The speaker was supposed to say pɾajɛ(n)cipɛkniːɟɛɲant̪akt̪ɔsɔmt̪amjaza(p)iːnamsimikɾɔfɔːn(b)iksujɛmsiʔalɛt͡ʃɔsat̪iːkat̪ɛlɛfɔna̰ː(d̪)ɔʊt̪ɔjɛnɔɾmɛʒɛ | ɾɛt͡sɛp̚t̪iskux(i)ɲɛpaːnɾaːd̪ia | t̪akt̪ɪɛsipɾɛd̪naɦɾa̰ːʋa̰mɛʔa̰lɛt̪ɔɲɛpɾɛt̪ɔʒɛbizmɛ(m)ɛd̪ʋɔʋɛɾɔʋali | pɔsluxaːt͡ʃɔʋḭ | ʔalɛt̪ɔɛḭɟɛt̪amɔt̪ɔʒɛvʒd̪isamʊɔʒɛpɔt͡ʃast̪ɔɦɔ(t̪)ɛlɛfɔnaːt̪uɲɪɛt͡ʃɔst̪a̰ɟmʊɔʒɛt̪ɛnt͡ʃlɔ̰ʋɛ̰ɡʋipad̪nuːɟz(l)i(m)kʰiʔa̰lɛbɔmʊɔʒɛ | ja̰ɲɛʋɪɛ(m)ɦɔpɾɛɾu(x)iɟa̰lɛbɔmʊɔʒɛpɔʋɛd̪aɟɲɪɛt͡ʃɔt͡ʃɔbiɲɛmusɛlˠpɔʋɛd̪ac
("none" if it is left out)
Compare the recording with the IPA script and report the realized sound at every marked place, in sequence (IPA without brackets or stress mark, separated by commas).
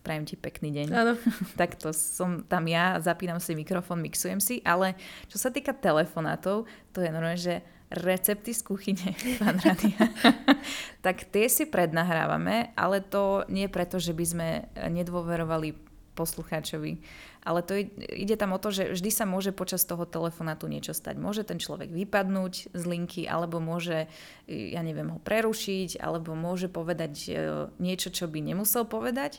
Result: m, p, m, t̪, i, ɲ, t̪, l, ŋ, m, ʃ